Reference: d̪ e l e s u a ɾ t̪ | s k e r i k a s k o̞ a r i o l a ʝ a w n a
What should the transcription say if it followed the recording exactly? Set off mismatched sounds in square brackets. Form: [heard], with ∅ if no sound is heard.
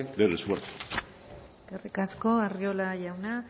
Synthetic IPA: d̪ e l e s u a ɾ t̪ | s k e r i k a s k o̞ a r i o l a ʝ a w n a

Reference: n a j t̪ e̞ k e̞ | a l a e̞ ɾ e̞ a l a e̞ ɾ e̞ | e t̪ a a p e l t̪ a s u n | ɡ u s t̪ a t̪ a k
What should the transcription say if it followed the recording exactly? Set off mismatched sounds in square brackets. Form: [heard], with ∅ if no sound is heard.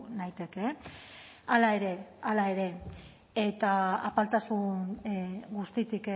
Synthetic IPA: n a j t̪ e̞ k e̞ | a l a e̞ ɾ e̞ a l a e̞ ɾ e̞ | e t̪ a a p [a] l t̪ a s u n | ɡ u s t̪ [i] t̪ [i] k

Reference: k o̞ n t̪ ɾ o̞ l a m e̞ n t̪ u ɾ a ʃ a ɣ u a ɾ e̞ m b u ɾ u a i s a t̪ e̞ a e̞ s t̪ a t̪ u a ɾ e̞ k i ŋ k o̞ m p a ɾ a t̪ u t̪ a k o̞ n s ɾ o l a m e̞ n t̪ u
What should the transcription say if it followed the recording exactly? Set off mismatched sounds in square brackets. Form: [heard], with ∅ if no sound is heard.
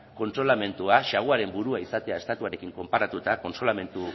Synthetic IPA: k o̞ n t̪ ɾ o̞ l a m e̞ n t̪ u [∅] a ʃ a ɣ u a ɾ e̞ m b u ɾ u a i s a t̪ e̞ a e̞ s t̪ a t̪ u a ɾ e̞ k i ŋ k o̞ m p a ɾ a t̪ u t̪ a k o̞ n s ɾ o l a m e̞ n t̪ u

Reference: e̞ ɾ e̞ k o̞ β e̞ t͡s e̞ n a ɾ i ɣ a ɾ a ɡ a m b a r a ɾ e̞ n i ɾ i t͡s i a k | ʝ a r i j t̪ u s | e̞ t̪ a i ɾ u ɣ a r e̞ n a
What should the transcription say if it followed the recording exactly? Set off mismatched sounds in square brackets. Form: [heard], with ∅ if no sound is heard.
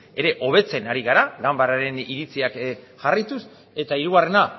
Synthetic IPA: e̞ ɾ e̞ [ʔ] o̞ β e̞ t͡s e̞ n a ɾ i ɣ a ɾ a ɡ a m b a [ɾ] a ɾ e̞ n i ɾ i t͡s i a k | ʝ a r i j t̪ u s | e̞ t̪ a i ɾ u ɣ a r e̞ n a

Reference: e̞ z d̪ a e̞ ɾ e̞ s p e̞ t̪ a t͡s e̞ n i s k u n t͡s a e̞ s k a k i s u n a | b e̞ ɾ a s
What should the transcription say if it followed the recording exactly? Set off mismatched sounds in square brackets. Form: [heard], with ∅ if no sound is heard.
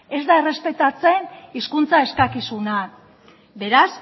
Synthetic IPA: e̞ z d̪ a e̞ [r] e̞ s p e̞ t̪ a t͡s e̞ n i s k u n t͡s a e̞ s k a k i s u n a | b e̞ ɾ a s

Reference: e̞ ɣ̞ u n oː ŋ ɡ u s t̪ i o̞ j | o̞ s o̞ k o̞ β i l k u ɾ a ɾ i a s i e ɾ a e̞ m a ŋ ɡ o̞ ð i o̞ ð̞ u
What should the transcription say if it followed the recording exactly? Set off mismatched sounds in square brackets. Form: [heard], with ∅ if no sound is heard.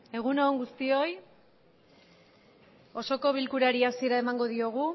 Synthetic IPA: e̞ ɣ̞ u n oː ŋ ɡ u s t̪ i o̞ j | o̞ s o̞ k o̞ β i l k u ɾ a ɾ i a s i e ɾ a e̞ m a ŋ ɡ o̞ ð i o̞ [ɣ̞] u

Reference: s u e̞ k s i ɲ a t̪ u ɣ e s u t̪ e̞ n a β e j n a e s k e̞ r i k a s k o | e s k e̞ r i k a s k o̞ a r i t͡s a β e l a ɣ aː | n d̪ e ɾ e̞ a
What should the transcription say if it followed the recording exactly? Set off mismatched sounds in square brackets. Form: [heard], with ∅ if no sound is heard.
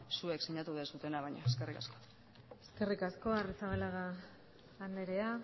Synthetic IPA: s u e̞ k s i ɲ a t̪ u [ð] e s u t̪ e̞ n a β [a] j [ɲ] a e s k e̞ r i k a s k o | e s k e̞ r i k a s k o̞ a r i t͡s a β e l a ɣ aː | n d̪ e ɾ e̞ a

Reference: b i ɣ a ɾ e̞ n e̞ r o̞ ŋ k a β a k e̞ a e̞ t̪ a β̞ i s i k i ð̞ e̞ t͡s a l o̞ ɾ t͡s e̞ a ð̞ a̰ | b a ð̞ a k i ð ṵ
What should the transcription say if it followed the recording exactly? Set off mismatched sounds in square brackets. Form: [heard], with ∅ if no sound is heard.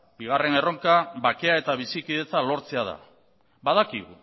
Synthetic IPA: b i ɣ a [r] e̞ n e̞ r o̞ ŋ k a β a k e̞ a e̞ t̪ a β̞ i s i k i ð̞ e̞ t͡s a l o̞ ɾ t͡s e̞ a ð̞ a̰ | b a ð̞ a k i [ɣ] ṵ

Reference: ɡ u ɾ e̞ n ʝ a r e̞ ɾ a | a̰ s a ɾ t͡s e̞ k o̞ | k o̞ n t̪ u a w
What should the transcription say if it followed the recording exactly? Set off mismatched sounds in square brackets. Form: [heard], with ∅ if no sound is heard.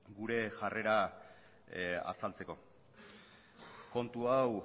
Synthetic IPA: ɡ u ɾ e̞ [∅] ʝ a r e̞ ɾ a | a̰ s a [l] t͡s e̞ k o̞ | k o̞ n t̪ u a w

